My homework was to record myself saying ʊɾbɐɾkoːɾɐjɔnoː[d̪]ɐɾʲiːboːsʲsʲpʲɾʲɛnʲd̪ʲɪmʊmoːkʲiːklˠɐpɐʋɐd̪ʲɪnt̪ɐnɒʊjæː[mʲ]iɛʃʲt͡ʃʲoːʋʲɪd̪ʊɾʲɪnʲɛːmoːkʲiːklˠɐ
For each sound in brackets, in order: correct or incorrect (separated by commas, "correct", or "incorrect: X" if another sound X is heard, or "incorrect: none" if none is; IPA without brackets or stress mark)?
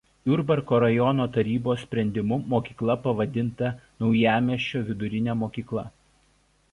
incorrect: t̪, correct